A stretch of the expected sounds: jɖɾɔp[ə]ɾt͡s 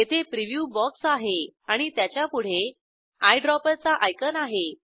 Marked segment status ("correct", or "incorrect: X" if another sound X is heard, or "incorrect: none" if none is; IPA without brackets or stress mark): correct